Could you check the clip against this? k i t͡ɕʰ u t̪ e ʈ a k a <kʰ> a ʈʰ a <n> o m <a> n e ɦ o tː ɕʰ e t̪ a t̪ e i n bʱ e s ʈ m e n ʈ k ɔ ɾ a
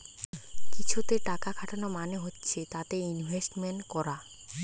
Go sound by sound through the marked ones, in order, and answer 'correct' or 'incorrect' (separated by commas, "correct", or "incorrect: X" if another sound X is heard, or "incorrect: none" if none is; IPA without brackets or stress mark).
correct, correct, correct